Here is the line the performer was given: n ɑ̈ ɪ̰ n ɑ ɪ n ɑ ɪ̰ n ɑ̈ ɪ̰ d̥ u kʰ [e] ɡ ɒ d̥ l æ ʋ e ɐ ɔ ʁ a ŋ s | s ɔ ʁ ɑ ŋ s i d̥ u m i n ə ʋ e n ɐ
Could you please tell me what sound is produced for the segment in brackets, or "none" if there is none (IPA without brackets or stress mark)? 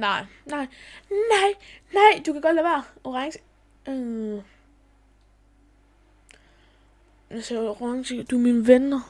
æ